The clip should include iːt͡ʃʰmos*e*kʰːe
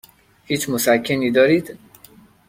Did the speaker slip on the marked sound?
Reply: yes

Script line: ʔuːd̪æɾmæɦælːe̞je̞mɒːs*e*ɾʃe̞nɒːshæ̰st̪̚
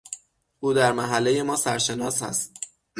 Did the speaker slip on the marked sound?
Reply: yes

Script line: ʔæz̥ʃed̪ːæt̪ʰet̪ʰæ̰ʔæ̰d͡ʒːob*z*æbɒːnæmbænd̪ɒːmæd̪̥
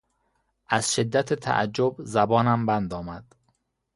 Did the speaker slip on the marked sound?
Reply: no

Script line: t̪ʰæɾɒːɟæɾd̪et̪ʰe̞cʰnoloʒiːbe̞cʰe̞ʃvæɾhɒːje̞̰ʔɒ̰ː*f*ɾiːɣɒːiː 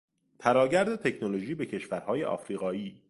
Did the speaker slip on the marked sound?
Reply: no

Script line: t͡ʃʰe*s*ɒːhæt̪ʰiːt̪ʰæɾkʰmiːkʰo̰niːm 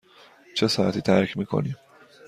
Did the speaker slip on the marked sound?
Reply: no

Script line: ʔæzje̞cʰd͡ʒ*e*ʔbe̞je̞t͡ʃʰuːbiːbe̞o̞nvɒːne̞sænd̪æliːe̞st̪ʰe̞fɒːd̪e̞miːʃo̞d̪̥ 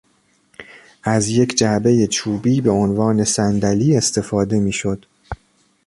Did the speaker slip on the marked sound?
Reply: yes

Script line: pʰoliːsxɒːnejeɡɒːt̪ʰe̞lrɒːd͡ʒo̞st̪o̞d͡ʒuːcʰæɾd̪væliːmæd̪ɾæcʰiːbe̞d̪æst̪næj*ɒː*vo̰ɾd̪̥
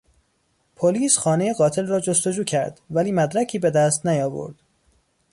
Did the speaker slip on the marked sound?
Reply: no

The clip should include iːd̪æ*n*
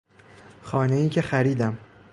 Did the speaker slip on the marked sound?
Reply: yes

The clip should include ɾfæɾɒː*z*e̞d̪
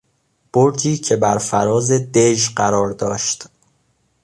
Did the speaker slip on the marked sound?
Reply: no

